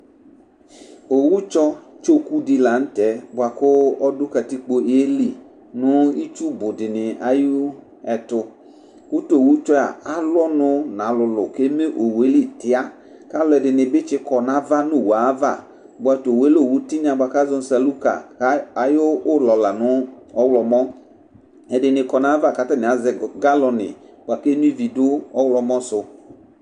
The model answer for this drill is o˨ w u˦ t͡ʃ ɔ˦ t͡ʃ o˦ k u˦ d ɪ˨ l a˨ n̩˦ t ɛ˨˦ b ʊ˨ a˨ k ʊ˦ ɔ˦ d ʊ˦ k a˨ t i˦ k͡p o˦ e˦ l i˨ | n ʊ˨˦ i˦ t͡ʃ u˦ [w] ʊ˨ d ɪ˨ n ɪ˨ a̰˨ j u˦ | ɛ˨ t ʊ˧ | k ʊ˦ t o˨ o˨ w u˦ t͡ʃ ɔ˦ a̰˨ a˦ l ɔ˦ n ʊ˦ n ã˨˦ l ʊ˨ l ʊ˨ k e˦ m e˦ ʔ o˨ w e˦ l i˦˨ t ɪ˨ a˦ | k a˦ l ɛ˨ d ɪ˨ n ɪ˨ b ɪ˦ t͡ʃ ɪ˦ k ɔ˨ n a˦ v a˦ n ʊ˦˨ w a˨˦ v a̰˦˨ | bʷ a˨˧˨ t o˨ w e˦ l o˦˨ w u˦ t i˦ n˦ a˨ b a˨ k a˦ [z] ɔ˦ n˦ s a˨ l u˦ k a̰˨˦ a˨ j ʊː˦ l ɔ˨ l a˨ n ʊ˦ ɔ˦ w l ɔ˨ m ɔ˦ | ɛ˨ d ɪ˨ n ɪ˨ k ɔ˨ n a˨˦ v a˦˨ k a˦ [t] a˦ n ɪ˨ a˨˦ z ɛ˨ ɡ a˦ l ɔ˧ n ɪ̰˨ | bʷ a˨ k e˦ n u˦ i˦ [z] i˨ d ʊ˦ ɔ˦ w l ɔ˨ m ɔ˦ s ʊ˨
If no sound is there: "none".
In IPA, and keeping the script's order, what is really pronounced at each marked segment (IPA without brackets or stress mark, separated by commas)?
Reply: b, z, t, v